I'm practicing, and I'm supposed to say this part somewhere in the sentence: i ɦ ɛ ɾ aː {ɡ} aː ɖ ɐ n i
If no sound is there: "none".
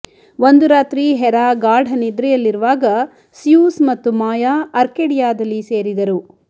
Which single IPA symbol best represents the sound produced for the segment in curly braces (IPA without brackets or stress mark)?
ɡ